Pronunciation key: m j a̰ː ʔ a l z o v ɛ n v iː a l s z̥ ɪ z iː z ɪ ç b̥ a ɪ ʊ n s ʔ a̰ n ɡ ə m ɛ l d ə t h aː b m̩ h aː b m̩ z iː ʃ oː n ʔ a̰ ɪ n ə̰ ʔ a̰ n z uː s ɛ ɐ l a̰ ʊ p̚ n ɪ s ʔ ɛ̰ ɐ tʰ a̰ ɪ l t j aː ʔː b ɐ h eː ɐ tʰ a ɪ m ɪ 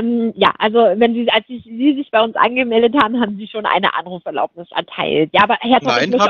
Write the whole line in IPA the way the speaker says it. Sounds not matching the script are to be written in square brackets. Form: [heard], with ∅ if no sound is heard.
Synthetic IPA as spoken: m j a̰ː ʔ a l z o v ɛ n [z] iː a l s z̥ ɪ z iː z ɪ ç b̥ a ɪ ʊ n s ʔ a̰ n ɡ ə m ɛ l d ə t h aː b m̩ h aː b m̩ z iː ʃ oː n ʔ a̰ ɪ n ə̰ ʔ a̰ n [ʁ] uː [f] ɛ ɐ l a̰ ʊ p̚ n ɪ s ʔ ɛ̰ ɐ tʰ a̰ ɪ l t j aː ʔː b ɐ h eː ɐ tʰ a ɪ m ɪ